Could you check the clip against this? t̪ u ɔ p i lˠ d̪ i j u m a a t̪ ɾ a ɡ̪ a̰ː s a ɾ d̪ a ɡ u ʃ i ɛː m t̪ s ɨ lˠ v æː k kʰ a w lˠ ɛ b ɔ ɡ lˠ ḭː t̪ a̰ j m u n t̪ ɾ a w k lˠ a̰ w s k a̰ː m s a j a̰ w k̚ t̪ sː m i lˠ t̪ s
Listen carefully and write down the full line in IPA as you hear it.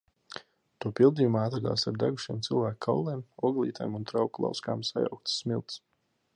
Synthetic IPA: t̪ u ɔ p i lˠ d̪ i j u m a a t̪ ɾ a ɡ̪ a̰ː s a ɾ d̪ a ɡ u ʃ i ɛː m t̪ s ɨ lˠ v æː k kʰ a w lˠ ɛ m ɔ ɡ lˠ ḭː t̪ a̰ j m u n t̪ ɾ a w k lˠ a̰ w s k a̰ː m s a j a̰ w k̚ t̪ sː m i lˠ t̪ s